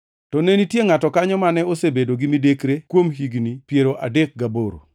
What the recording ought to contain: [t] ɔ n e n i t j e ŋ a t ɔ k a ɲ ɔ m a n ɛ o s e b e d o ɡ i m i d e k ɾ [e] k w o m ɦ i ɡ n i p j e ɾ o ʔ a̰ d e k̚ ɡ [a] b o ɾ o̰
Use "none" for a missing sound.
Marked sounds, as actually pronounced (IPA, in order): t, e, a

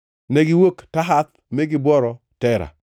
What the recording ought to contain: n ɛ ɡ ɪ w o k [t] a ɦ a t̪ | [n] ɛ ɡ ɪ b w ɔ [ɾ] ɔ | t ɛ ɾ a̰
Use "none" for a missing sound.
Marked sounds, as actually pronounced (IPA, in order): t, m, ɾ

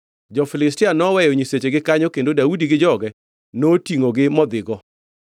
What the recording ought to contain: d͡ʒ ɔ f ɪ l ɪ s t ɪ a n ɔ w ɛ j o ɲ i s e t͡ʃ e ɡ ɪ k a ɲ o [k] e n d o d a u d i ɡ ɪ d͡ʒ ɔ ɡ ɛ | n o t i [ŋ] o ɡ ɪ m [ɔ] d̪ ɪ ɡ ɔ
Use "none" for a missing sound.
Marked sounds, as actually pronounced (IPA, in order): k, ŋ, ɔ

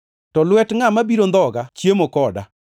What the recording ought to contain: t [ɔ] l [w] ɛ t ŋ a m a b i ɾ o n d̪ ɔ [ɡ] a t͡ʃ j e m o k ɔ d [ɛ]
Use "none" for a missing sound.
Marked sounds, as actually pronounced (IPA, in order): ɔ, w, ɡ, a

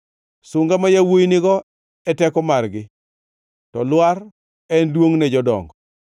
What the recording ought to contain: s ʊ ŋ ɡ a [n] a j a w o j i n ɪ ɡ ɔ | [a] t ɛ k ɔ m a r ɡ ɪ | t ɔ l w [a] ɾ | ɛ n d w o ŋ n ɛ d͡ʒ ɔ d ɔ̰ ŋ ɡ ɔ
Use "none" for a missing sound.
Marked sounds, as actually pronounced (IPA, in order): m, ɛ, a

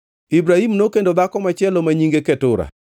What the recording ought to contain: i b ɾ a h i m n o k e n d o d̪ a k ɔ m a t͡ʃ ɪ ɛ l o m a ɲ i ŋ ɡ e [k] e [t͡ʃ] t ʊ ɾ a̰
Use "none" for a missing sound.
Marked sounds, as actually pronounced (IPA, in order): k, none

